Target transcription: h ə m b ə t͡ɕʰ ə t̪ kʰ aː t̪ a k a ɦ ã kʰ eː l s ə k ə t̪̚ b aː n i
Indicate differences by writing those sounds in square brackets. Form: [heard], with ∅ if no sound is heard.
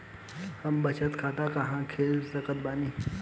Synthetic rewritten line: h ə m b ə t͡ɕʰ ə t̪ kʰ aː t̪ a k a ɦ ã kʰ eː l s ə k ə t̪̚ b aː n i